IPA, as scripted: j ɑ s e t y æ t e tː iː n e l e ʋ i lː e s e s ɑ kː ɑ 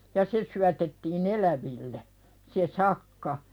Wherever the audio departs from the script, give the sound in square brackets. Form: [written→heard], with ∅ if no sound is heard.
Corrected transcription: j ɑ s e [t→s] y æ t e tː iː n e l [e→æ] ʋ i lː e s e s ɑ kː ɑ

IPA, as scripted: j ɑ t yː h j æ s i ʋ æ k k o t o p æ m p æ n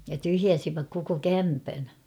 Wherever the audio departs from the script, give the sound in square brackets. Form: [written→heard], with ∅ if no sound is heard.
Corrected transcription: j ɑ t [yː→y] h j æ s i ʋ æ k k o [t→k] o [p→k] æ m p æ n

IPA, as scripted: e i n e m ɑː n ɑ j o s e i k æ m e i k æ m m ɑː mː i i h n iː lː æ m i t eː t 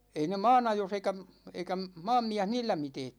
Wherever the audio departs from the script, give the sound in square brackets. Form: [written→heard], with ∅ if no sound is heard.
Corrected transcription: e i n e m ɑː n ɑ j o s e i k æ m e i k æ m m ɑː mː i [i→æ] h n iː lː æ m i t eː t

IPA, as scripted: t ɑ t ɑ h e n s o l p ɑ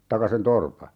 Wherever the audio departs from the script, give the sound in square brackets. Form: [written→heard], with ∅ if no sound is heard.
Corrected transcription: t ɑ [t→k] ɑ [h→s] e n [s→t] o [l→r] p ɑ

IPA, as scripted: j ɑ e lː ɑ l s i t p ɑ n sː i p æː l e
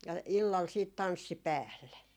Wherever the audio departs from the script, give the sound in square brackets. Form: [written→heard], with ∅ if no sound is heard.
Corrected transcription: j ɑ [e→i] lː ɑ l s [i→iː] t [p→t] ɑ n sː i p æː [l→lː] e

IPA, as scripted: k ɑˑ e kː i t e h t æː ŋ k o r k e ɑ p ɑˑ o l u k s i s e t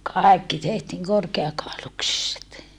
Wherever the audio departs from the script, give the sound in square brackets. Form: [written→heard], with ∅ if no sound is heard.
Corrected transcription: k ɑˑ e kː i t e h t [æː→iː] ŋ k o r k e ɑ [p→k] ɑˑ o l u k s i s e t

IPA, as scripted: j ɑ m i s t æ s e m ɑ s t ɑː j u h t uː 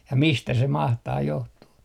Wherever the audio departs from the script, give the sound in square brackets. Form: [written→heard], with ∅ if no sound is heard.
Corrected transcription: j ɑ m i s t æ s e m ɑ [s→h] t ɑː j [u→o] h t uː

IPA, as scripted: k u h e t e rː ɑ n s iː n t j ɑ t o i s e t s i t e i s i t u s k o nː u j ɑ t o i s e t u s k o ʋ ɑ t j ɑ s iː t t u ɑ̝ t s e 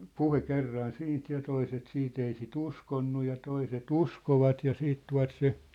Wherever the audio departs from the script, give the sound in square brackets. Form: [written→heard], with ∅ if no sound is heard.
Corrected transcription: [k→p] u h e [t→k] e rː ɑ n s iː n t j ɑ t o i s e t s [i→iː] t e i s i t u s k o nː u j ɑ t o i s e t u s k o ʋ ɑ t j ɑ s iː t t u ɑ̝ t s e

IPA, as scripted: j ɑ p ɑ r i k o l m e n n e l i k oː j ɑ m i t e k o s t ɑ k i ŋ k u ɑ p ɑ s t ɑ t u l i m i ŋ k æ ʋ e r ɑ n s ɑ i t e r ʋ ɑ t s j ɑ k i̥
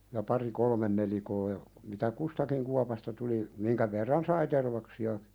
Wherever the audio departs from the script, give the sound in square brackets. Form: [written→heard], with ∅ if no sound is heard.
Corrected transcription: j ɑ p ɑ r i k o l m e n n e l i k oː j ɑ m i t [e→æ] k [o→u] s t ɑ k i ŋ k u ɑ p ɑ s t ɑ t u l i m i ŋ k æ ʋ e [r→rː] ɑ n s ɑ i t e r ʋ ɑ [t→k] s [j→i] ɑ k i̥

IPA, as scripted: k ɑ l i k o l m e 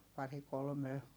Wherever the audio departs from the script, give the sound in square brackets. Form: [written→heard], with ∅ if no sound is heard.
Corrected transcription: [k→p] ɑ [l→r] i k o l m e

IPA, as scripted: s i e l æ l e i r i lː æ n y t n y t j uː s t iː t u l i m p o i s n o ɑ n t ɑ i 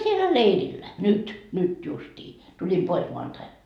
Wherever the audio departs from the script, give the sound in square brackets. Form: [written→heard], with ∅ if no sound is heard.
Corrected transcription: s i e l æ l e i r i lː æ n y t n y t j [uː→u] s t iː t u l i m p o i s [n→m] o ɑ n t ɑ i

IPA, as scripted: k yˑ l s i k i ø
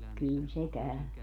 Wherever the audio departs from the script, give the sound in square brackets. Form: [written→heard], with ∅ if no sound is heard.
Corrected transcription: k yˑ l s [i→e] k [i→æ] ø

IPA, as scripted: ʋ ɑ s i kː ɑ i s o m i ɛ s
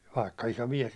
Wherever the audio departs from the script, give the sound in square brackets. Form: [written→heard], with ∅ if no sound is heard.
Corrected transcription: ʋ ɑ [s→∅] i kː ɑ i s o m i ɛ s

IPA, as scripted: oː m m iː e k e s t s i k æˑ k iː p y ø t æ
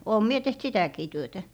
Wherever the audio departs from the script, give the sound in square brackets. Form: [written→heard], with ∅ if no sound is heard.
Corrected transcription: oː m m [iː→i] e [k→t] e [s→h] t s i [k→t] æˑ k iː [p→t] y ø t æ

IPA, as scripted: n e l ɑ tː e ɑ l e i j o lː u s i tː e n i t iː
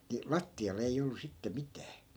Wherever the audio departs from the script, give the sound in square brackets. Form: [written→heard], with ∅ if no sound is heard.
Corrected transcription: n [e→i] l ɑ tː [e→i] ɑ l e i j o lː u s i tː e [n→m] i t [iː→æː]

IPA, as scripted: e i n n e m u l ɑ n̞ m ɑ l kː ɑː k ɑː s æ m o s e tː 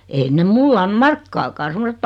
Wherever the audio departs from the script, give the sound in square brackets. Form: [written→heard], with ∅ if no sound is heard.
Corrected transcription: e i n n e m u [l→lː] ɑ n̞ m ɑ [l→r] kː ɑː k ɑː s [æ→e] m o s e tː

